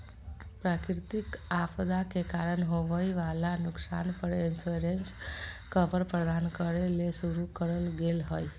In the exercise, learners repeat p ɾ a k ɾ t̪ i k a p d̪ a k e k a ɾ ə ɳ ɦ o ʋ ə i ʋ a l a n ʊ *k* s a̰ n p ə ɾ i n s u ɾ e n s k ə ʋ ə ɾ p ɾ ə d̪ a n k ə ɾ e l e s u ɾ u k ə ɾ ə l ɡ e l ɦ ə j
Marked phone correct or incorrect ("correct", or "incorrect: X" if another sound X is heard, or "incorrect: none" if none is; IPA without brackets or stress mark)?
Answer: correct